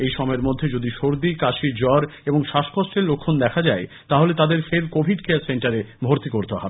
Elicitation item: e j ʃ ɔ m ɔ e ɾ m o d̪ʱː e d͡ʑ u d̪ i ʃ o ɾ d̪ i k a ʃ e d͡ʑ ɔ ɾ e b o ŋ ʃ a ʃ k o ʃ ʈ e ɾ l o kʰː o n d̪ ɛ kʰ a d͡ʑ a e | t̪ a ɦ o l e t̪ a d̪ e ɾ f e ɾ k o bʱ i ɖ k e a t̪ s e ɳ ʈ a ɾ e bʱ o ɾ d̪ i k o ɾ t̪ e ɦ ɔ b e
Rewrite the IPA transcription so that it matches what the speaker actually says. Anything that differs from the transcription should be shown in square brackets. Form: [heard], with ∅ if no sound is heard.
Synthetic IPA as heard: e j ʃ ɔ m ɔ e ɾ m o d̪ʱː e d͡ʑ [o] d̪ i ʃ o ɾ d̪ i k a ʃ [i] d͡ʑ ɔ ɾ e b o ŋ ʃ a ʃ k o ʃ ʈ e ɾ l o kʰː o n d̪ ɛ kʰ a d͡ʑ a e | t̪ a ɦ o l e t̪ a d̪ e ɾ f e ɾ k o bʱ i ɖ k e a [∅] s e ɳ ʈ a ɾ e bʱ o ɾ [t̪] i k o ɾ t̪ e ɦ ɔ b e